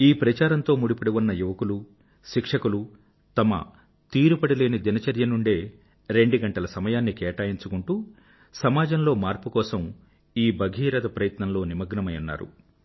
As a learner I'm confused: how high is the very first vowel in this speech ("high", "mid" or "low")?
high